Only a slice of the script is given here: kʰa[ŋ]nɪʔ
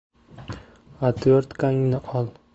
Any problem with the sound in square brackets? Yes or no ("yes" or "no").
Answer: no